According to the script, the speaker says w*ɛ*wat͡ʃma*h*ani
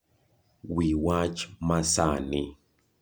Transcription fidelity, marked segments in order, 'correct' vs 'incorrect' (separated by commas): incorrect, incorrect